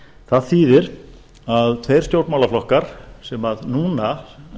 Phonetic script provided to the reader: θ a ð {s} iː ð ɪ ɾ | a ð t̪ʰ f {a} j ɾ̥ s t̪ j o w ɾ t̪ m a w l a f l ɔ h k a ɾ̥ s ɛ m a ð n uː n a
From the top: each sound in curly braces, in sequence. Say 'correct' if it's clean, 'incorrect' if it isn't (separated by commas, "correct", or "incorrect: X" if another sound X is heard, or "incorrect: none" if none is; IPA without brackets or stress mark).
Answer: incorrect: θ, incorrect: e